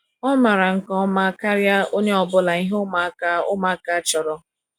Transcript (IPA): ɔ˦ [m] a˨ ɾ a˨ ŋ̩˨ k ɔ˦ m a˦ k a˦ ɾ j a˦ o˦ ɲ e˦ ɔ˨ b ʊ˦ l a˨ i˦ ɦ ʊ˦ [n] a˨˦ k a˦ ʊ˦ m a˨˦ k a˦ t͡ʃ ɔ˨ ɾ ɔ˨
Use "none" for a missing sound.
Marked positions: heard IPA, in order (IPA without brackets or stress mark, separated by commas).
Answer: m, m